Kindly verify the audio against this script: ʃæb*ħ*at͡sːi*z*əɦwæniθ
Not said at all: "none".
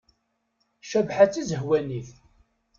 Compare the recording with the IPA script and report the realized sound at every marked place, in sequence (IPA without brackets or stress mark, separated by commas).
ħ, z